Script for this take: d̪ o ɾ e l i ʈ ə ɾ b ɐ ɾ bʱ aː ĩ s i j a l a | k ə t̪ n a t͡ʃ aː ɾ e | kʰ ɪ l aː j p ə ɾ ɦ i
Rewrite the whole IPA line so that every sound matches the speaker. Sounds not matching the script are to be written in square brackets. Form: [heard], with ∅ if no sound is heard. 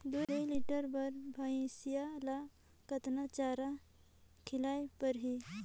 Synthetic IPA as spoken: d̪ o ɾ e l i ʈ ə ɾ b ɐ ɾ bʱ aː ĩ s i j a l a | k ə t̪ n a t͡ʃ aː ɾ [a] | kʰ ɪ l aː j p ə ɾ ɦ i